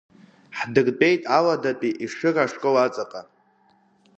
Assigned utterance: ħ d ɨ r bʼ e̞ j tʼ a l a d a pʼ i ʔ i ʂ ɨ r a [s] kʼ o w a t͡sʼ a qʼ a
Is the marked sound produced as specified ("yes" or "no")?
no